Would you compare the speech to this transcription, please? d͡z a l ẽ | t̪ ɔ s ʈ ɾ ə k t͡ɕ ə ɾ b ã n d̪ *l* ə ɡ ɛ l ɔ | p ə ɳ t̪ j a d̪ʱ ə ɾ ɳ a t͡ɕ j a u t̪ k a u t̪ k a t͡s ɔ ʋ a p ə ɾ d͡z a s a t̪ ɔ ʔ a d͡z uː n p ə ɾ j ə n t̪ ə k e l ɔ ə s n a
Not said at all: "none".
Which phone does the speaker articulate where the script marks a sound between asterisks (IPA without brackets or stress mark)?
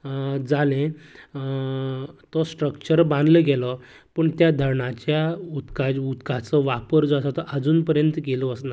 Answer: l